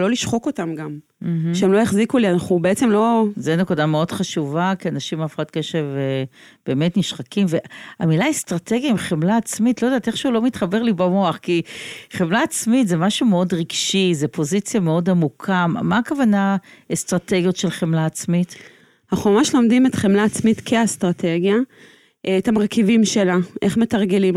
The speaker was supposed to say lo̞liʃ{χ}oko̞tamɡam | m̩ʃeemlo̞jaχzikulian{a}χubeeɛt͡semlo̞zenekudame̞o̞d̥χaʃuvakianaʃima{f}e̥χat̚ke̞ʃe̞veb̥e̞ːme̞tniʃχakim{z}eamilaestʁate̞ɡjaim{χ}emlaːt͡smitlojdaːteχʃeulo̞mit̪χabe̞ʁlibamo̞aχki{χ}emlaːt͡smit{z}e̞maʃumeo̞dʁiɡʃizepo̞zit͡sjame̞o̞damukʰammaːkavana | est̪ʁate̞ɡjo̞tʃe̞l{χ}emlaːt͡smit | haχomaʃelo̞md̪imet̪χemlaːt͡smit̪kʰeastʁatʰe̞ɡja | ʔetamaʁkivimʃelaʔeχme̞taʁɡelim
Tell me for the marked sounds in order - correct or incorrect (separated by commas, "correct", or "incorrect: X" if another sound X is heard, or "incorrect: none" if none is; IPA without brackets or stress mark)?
correct, correct, correct, incorrect: v, correct, correct, correct, correct